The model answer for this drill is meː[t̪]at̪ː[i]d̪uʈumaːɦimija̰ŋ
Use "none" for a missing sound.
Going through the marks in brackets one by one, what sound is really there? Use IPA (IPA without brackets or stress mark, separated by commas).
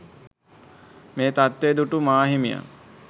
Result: t̪, e